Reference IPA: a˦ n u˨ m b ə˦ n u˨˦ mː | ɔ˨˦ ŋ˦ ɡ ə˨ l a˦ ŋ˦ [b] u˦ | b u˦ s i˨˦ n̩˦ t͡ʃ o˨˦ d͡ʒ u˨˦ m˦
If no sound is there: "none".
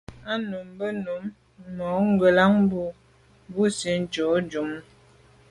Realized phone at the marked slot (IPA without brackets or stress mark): b